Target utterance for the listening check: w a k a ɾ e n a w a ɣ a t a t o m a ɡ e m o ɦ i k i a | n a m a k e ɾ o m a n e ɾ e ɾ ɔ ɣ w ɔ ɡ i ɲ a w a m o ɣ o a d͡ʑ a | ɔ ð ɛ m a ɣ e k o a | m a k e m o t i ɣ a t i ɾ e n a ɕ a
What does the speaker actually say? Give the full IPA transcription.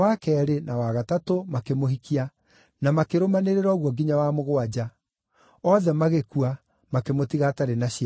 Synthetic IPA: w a k ɛ ɾ e n a w a ɣ a t a t o m a k e m o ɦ i k i a | n a m a k e ɾ o m a n e ɾ e ɾ ɔ ɣ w ɔ ɡ i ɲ a w a m o ɣ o a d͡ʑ a | ɔ ð ɛ m a ɣ e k u a | m a k e m o t i ɣ a t a ɾ e n a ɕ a